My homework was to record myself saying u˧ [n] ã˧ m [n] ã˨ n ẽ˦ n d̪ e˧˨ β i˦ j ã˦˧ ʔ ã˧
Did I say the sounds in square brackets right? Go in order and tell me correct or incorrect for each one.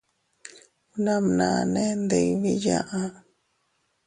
correct, correct

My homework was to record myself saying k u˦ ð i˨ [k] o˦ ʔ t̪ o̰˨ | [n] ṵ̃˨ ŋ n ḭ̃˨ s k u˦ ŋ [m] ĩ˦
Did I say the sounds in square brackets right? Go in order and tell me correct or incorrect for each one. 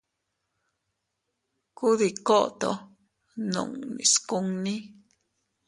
correct, correct, incorrect

